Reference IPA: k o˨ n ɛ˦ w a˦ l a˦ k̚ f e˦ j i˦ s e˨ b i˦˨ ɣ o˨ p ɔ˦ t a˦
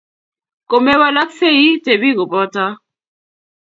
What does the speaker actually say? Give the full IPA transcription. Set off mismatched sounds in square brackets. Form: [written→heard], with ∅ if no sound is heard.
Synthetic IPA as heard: k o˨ [n→m] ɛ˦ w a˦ l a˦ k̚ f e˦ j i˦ [s→t] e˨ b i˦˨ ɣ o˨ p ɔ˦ t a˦

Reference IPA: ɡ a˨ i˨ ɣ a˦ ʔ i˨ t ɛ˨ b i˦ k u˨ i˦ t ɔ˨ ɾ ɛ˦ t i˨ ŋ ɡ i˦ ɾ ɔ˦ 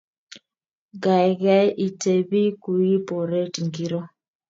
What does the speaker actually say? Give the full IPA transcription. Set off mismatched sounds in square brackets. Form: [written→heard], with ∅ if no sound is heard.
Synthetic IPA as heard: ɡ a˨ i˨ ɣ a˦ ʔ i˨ t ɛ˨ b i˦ k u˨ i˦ [t→p] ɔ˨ ɾ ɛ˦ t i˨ ŋ ɡ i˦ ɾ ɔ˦

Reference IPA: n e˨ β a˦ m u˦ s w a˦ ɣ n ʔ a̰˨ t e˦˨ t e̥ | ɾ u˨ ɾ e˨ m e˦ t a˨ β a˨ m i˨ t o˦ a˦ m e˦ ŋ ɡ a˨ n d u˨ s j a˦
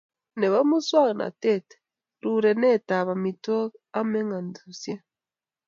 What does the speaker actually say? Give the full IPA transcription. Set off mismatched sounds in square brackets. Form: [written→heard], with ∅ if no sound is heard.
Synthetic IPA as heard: n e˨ β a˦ m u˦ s w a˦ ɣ n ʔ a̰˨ t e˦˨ t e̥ | ɾ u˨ ɾ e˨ [m→n] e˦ t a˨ β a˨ m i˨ t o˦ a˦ m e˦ ŋ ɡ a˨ n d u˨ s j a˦

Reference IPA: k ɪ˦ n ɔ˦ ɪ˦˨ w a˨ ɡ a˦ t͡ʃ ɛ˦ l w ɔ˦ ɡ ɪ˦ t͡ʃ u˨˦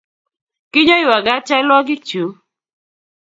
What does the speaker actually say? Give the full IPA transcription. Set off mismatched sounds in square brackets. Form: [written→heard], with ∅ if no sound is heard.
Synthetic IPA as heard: k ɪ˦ [n→ɲ] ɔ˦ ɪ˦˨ w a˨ ɡ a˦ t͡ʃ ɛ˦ l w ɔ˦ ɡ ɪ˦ t͡ʃ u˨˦

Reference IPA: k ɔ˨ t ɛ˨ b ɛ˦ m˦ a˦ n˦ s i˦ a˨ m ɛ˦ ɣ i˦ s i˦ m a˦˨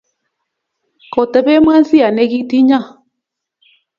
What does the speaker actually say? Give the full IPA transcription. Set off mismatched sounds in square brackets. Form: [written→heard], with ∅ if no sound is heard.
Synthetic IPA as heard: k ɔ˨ t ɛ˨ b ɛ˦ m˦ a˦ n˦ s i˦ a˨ [m→n] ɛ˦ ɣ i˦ [s→t] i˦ [m→ɲ] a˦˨

